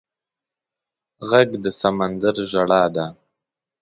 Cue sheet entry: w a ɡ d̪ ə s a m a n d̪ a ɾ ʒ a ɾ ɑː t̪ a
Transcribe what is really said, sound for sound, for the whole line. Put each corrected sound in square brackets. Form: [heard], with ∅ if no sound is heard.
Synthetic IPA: [ɣ] a ɡ d̪ ə s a m a n d̪ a ɾ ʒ a [ɽ] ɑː [d̪] a